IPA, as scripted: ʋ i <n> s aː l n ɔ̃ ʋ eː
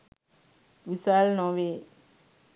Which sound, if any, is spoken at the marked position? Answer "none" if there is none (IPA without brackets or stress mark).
none